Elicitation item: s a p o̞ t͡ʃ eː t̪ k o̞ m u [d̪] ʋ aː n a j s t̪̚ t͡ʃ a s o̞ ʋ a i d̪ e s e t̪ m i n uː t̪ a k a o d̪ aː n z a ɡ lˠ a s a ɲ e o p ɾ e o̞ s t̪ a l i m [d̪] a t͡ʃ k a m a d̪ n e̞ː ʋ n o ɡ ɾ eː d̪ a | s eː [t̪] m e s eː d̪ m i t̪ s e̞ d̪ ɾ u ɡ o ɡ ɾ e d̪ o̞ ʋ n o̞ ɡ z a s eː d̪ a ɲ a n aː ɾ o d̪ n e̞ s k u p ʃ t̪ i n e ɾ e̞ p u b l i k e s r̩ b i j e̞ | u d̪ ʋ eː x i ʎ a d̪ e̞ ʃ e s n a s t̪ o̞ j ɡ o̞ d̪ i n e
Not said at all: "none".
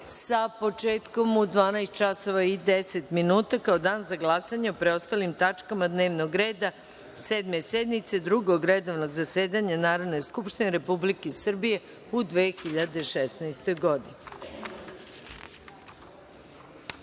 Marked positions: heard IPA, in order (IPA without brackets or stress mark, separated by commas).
d̪, t̪, d̪